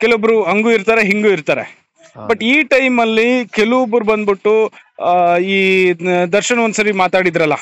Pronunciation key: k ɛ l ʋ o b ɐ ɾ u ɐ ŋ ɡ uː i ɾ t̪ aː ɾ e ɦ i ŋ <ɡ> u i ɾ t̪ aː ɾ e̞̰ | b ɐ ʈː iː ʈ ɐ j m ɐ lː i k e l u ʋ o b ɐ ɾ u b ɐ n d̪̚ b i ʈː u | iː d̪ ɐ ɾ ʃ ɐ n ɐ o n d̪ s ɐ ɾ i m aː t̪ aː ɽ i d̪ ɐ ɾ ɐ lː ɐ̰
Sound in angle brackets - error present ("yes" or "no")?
no